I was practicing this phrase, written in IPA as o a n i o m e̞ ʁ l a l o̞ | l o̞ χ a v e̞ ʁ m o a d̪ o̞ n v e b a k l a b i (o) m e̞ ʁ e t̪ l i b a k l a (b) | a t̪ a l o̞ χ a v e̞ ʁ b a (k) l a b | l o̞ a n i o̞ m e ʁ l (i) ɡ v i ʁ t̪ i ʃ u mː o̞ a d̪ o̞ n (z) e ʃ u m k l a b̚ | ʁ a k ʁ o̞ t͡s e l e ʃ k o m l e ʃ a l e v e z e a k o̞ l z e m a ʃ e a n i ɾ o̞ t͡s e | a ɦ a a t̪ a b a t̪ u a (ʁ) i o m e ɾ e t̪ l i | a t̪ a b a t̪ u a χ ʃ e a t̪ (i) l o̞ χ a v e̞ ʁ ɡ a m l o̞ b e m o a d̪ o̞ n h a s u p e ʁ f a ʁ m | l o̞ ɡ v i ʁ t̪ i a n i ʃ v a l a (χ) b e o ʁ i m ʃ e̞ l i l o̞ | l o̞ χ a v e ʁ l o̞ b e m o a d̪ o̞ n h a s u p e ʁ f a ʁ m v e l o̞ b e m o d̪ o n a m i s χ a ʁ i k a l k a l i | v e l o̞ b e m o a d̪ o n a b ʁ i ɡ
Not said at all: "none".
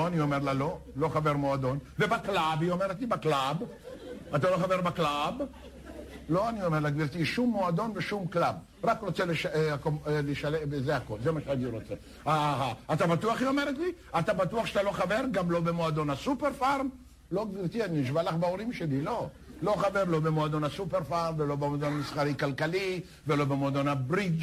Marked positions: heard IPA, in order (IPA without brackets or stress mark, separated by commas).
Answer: o, b, k, a, v, χ, a, χ